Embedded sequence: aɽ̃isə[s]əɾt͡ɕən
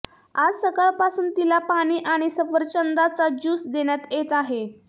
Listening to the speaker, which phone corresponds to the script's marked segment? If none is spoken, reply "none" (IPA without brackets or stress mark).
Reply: f